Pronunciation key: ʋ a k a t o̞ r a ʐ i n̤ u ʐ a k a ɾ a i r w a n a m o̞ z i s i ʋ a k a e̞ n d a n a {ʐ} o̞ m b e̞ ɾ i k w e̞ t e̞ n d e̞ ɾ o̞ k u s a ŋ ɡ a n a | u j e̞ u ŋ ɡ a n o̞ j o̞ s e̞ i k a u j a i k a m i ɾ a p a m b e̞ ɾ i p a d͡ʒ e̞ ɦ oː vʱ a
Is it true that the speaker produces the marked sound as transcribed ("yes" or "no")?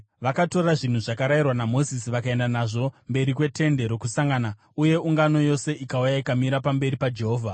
yes